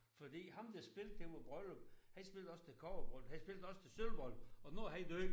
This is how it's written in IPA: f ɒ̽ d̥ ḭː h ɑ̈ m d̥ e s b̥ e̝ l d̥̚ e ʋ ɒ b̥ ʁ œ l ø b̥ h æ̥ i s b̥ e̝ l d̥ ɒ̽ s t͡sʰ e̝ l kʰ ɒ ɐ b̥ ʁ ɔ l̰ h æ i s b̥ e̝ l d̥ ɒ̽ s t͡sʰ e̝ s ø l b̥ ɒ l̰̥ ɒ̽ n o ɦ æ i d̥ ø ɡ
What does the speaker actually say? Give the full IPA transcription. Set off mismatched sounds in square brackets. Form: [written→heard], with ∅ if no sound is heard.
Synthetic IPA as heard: f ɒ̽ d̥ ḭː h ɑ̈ m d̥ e s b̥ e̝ l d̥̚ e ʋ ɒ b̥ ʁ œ l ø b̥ h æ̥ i s b̥ e̝ l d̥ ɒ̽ s t͡sʰ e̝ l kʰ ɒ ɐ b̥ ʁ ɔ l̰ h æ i s b̥ e̝ l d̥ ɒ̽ s t͡sʰ e̝ s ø l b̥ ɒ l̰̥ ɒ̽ n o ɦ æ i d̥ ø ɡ